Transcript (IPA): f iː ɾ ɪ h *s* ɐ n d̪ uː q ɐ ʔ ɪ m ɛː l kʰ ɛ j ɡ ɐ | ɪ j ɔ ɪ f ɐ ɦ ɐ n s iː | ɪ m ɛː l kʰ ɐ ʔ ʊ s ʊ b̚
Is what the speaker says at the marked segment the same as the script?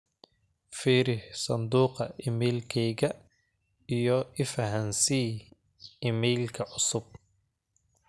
yes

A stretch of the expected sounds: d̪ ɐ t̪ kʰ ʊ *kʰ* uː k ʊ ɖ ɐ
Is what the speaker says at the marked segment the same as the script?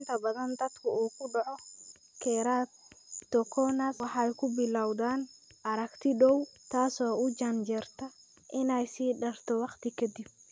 no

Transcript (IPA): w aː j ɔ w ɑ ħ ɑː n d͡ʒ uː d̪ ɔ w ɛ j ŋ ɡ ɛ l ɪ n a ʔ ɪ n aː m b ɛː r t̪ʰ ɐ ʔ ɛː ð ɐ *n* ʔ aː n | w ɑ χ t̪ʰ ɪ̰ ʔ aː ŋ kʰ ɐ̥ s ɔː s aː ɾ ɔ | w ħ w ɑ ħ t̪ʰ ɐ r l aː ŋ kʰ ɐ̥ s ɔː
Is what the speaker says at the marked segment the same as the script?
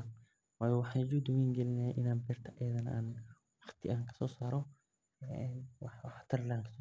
yes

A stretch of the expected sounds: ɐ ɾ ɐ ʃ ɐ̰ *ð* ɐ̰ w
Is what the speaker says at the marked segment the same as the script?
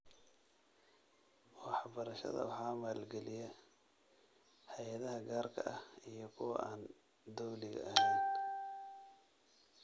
yes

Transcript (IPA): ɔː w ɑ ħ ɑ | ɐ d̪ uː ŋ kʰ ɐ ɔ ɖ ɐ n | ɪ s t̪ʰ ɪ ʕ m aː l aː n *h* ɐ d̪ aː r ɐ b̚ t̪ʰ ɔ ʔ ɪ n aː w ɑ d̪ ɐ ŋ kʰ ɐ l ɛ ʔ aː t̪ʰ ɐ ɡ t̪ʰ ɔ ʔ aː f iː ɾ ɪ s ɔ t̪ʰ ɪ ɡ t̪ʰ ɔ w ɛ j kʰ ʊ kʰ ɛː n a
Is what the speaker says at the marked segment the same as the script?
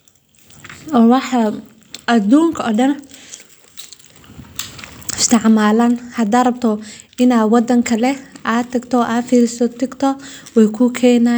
yes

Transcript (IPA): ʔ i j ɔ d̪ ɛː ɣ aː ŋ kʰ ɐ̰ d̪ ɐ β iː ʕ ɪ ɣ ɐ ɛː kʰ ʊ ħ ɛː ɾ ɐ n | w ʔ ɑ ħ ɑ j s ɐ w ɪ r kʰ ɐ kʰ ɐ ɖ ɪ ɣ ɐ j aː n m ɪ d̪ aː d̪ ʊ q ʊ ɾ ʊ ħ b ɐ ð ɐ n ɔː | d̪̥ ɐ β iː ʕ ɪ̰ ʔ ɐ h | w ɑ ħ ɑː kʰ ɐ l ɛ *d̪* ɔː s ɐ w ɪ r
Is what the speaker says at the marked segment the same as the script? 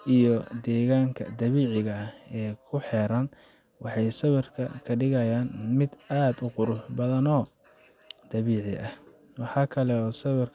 no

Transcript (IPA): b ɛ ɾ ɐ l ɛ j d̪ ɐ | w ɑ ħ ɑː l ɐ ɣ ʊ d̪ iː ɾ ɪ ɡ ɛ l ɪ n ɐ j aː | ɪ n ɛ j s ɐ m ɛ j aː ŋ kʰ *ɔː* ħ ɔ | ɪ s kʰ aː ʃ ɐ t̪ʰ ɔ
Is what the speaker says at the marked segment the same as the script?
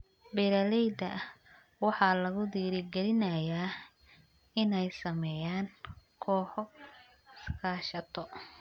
yes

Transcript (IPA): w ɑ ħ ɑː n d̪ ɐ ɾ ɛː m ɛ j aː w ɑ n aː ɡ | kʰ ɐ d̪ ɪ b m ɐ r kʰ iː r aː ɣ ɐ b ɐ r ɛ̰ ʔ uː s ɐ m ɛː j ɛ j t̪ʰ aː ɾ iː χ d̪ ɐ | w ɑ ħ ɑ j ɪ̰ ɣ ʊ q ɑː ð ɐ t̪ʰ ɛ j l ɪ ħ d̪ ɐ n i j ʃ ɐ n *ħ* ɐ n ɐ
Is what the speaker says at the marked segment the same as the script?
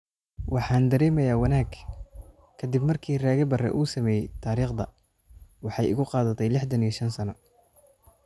no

